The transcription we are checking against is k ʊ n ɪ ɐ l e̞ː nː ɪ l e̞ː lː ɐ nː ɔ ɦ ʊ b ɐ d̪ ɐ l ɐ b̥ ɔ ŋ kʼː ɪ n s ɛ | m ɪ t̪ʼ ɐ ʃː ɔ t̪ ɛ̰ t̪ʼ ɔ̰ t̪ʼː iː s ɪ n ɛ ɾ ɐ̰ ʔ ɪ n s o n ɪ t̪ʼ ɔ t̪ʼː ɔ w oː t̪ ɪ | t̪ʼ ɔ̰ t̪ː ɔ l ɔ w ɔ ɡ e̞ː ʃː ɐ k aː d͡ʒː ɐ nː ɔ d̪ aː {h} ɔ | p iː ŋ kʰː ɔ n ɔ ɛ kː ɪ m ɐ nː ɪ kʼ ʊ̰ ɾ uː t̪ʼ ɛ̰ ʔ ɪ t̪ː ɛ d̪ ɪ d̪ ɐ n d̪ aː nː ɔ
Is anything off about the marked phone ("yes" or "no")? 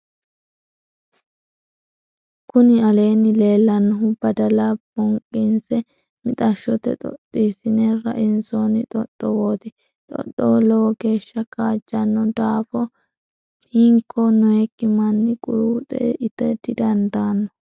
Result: yes